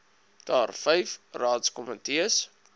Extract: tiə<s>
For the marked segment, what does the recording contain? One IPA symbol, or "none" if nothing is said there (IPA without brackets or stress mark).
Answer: s